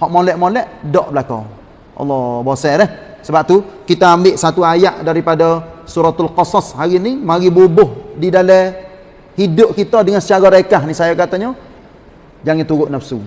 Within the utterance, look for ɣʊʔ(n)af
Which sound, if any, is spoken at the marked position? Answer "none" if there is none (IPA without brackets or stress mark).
n